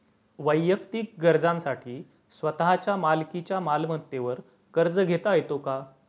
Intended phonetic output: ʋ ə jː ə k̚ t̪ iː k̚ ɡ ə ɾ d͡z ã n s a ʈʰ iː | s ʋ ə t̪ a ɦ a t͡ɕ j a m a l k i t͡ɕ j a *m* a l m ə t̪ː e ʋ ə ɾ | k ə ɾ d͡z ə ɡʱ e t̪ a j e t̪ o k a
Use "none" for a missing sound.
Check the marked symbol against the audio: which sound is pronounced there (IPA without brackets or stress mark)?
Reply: m